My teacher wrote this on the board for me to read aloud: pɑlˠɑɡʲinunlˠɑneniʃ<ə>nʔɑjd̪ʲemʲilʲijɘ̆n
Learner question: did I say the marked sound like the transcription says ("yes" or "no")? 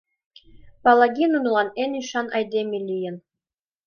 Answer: no